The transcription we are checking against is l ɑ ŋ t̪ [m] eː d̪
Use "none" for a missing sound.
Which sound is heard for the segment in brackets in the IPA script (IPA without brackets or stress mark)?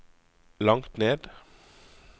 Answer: n